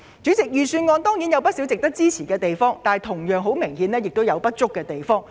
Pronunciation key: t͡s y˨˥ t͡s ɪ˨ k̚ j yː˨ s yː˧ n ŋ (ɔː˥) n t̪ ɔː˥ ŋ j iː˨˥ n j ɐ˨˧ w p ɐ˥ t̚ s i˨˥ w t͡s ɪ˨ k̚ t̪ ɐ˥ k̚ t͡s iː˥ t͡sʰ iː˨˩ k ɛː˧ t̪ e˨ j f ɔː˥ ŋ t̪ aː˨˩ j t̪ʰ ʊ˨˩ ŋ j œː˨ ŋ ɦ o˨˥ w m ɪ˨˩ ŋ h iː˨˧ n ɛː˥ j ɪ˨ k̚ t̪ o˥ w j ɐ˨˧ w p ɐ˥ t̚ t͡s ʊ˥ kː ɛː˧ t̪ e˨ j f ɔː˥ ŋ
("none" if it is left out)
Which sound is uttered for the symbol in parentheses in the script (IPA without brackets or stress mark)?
ɔː˧